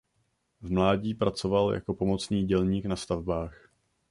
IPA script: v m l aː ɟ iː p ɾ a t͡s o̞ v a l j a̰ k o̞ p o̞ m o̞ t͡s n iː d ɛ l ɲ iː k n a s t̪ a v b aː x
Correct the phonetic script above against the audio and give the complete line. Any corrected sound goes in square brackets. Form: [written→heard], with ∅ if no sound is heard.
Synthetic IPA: v m l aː ɟ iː p ɾ a t͡s o̞ v a l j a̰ k o̞ p o̞ m o̞ t͡s n iː [d→ɟ] ɛ l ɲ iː k n a s t̪ a v b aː x